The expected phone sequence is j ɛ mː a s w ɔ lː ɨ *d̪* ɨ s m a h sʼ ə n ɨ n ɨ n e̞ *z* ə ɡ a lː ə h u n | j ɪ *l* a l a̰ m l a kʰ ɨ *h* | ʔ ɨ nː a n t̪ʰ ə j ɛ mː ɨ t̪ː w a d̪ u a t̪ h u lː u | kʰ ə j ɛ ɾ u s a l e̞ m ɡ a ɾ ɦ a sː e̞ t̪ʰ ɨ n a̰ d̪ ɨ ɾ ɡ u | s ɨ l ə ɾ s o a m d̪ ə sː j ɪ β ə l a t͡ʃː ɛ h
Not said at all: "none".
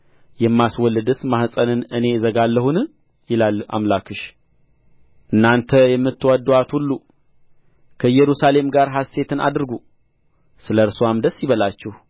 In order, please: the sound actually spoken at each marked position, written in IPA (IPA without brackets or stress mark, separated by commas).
d̪, z, l, ʃ